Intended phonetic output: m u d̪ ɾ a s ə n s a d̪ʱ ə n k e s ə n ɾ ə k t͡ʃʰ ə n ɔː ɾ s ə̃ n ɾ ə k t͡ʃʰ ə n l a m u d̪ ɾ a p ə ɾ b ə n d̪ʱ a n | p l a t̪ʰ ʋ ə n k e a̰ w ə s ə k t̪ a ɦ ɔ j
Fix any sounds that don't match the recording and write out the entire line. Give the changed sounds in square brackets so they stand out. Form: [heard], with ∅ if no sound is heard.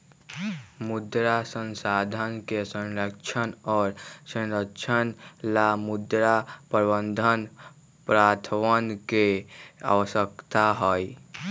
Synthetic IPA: m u d̪ ɾ a s ə n s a d̪ʱ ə n k e s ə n ɾ ə k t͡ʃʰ ə n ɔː ɾ s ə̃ n ɾ ə k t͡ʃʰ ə n l a m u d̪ ɾ a p ə ɾ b ə n d̪ʱ [ə] n | p [ɾ] a t̪ʰ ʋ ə n k e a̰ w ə s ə k t̪ a ɦ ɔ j